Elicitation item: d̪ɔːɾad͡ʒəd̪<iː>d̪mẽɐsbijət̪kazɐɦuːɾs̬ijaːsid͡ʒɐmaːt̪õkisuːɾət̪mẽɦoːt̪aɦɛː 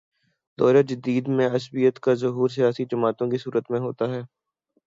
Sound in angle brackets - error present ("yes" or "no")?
no